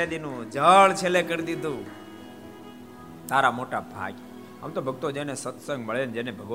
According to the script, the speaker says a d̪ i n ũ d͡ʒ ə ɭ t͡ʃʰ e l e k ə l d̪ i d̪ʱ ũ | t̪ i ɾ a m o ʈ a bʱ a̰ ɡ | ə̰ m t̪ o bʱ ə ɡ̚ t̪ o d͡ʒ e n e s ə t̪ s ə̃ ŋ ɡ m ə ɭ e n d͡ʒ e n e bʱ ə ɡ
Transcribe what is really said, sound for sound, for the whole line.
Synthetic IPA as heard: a d̪ i n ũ d͡ʒ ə ɭ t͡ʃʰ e l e k ə ɾ d̪ i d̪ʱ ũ | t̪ a ɾ a m o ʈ a bʱ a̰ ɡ | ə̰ m t̪ o bʱ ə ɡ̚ t̪ o d͡ʒ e n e s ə t̪ s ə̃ ŋ ɡ m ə ɭ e n d͡ʒ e n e bʱ ə ɡ